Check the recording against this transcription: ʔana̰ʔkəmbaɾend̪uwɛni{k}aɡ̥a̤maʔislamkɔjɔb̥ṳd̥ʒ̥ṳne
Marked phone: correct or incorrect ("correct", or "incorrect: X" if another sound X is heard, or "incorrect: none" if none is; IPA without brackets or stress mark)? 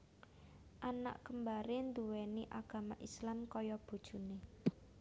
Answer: incorrect: ʔ